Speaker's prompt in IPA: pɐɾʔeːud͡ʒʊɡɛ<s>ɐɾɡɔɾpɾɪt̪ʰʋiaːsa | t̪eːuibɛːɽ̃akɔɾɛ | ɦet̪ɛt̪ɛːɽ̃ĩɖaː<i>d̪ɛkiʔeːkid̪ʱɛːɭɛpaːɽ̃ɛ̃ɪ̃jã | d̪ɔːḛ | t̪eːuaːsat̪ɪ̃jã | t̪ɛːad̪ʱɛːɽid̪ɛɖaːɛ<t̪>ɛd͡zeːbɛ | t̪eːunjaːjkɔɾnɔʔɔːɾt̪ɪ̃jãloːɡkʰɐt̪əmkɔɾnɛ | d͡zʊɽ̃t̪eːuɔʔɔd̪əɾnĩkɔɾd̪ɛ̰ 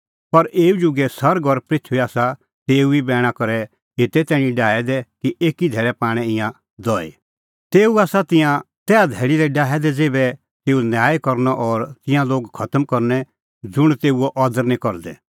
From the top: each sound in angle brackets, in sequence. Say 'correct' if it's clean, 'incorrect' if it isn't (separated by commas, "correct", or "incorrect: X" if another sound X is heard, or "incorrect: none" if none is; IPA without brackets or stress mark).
correct, incorrect: ɛ, incorrect: d̪